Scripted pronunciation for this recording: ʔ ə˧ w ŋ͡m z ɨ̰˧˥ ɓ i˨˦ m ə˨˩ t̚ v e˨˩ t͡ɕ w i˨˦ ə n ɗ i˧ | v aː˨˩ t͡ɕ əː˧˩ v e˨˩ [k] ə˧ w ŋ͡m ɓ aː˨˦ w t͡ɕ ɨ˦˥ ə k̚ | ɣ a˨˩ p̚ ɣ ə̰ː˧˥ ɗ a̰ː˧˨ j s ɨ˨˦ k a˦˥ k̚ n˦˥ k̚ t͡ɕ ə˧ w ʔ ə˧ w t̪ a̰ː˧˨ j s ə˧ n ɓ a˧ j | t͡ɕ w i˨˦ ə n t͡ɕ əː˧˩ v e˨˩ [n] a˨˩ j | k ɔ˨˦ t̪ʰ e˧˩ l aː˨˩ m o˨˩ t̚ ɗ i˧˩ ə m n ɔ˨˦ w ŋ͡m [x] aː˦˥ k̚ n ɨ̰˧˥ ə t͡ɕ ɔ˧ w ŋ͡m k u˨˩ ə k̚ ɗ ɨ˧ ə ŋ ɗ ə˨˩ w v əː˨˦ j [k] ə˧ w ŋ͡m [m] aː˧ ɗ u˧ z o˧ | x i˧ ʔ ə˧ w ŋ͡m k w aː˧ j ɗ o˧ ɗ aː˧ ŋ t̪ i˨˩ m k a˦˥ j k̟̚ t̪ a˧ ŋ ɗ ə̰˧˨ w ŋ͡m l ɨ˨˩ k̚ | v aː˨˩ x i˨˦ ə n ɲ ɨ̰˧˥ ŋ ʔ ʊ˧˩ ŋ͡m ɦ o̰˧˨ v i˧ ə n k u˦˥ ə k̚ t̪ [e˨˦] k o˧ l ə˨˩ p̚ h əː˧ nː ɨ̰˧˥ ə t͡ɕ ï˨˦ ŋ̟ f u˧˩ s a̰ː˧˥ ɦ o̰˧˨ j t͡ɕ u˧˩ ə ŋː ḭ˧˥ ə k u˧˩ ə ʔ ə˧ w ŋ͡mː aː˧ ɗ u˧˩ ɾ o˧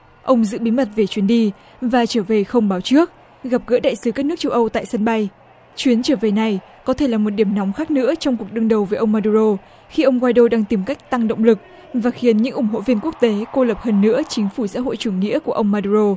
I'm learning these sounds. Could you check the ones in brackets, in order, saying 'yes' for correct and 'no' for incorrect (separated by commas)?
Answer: no, yes, yes, no, yes, yes